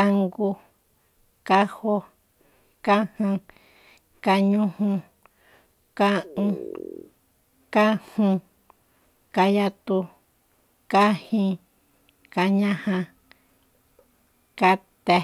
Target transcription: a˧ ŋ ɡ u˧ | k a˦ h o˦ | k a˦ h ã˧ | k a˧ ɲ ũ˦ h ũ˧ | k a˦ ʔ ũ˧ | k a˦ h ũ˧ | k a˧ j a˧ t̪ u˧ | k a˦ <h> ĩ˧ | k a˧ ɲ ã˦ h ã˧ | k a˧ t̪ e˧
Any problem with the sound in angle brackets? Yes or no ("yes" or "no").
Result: no